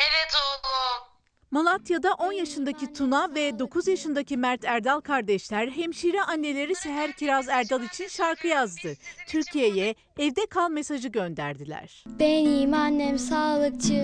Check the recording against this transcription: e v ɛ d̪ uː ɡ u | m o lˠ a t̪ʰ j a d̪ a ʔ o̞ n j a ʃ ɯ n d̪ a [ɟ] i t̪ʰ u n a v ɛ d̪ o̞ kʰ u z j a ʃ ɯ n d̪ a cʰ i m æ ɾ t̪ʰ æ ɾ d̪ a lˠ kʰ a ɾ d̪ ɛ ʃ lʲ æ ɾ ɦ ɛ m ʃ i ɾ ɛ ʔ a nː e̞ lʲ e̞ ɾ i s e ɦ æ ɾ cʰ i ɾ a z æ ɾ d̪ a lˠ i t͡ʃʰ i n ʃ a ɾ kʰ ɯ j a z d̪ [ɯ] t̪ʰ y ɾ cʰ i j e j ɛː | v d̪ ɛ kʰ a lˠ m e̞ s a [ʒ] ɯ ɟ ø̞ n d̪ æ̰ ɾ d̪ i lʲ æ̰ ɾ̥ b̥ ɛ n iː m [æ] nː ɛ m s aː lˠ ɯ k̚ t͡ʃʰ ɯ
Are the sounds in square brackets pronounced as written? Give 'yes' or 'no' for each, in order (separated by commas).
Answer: no, yes, yes, no